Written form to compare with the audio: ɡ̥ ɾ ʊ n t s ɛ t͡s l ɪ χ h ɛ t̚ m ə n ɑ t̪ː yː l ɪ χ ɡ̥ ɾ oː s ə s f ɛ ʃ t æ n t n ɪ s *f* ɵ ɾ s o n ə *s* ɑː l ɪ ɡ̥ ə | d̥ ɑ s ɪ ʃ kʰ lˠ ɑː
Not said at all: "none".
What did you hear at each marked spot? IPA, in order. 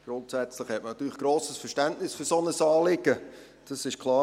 f, s

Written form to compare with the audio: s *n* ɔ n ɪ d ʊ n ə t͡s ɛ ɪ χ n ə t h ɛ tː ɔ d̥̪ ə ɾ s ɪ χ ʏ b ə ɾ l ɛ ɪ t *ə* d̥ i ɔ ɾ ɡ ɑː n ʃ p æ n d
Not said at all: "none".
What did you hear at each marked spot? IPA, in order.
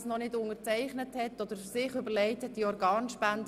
n, ə

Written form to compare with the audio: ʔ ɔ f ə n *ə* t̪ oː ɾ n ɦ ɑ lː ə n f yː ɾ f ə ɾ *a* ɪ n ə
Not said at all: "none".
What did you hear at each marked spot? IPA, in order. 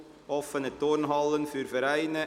ə, æ

